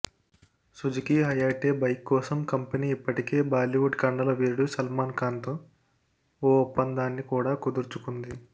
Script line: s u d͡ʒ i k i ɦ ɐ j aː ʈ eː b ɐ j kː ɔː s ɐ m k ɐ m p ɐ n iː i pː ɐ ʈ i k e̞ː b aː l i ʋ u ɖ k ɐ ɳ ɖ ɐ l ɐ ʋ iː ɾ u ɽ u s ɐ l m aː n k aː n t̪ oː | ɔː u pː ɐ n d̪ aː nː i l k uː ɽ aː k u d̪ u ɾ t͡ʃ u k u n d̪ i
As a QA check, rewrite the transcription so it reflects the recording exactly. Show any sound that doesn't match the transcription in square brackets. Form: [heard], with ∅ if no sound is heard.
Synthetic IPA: s u d͡ʒ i k i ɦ ɐ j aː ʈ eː b ɐ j kː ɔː s ɐ m k ɐ m p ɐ n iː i pː ɐ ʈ i k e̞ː b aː l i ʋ u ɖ k ɐ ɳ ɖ ɐ l ɐ ʋ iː ɾ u ɽ u s ɐ l m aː n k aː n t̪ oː | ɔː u pː ɐ n d̪ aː nː i [∅] k uː ɽ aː k u d̪ u ɾ t͡ʃ u k u n d̪ i